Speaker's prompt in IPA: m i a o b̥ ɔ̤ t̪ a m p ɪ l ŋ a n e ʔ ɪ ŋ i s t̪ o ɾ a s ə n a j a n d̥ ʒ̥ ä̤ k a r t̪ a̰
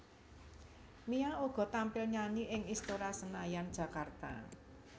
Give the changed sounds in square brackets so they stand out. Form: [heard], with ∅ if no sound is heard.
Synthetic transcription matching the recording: m i a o [ɡ̥] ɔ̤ t̪ a m p ɪ l [ɲ] a n [i] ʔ ɪ ŋ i s t̪ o ɾ a s ə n a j a n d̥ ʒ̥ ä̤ k a r t̪ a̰